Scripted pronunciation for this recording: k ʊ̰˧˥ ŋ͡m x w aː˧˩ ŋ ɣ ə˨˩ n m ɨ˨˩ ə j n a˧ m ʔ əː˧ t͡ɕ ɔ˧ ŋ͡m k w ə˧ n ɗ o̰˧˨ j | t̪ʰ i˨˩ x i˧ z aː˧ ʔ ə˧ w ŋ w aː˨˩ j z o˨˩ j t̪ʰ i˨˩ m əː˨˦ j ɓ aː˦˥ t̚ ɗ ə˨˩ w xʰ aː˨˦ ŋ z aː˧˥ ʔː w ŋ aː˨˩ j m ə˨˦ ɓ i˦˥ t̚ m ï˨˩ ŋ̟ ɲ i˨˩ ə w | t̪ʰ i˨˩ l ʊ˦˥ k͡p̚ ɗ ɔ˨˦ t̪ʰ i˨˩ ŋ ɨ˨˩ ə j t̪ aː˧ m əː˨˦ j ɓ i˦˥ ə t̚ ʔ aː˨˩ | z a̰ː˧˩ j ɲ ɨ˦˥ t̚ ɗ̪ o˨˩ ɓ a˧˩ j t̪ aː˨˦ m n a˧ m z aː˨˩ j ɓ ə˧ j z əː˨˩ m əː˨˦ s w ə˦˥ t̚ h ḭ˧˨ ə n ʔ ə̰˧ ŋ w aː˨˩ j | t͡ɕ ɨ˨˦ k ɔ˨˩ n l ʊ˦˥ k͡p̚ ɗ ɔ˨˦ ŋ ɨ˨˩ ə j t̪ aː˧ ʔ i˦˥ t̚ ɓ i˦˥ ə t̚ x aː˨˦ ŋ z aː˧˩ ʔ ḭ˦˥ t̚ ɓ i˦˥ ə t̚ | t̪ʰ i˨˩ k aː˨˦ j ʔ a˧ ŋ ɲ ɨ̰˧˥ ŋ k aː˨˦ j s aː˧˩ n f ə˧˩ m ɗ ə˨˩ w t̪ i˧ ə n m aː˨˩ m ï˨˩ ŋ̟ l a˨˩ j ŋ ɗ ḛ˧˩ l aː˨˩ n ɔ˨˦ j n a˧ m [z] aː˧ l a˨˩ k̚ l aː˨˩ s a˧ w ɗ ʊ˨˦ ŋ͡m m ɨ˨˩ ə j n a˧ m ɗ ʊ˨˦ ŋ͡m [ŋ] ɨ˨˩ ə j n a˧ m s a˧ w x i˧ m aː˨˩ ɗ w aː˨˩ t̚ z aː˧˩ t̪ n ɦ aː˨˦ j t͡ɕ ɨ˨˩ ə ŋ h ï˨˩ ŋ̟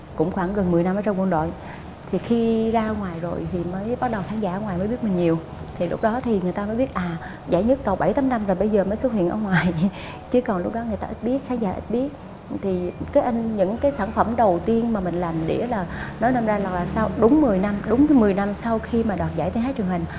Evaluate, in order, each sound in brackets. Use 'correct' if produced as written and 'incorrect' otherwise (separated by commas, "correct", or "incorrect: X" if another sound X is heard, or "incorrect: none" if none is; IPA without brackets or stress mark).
correct, incorrect: m